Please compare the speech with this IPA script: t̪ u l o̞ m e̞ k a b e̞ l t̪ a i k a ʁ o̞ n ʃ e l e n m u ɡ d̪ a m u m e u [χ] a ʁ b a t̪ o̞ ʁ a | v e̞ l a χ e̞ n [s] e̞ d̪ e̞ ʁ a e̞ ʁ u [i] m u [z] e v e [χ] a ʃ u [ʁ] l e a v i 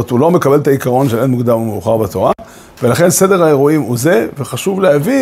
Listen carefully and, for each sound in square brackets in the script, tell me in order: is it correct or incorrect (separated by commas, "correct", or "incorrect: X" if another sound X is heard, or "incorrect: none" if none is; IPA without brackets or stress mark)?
correct, correct, correct, correct, correct, incorrect: v